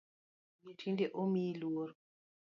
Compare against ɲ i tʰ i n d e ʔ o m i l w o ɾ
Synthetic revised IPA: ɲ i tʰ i n d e ʔ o m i l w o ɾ